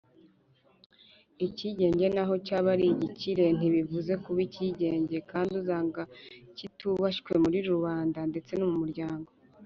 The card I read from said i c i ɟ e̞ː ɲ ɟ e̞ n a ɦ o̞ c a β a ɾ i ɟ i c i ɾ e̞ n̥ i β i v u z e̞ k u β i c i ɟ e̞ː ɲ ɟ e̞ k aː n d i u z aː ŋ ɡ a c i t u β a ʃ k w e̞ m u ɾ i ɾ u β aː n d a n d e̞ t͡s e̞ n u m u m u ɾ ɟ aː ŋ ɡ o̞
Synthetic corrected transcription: i c i ɟ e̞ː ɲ ɟ e̞ n a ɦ o̞ c a β a ɾ i ɟ i c i ɾ e̞ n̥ i β i v u z e̞ k u β i c i ɟ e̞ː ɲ ɟ e̞ k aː n d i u z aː ŋ ɡ a c i t u β a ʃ k w e̞ m u ɾ i ɾ u β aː n d a n d e̞ t͡s e̞ n u m u m u ɾ ɟ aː ŋ ɡ o̞